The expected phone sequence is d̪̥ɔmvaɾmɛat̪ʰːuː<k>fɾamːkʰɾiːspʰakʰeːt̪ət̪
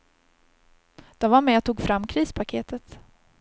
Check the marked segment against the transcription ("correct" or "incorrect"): incorrect